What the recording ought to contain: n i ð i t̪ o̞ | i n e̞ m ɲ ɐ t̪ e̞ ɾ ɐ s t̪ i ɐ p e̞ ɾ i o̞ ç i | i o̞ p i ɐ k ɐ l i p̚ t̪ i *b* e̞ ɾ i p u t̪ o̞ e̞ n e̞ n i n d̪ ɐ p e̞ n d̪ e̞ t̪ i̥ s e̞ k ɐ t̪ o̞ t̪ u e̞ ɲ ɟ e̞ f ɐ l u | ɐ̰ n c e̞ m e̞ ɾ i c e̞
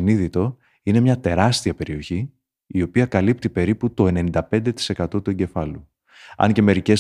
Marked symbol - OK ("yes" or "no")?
no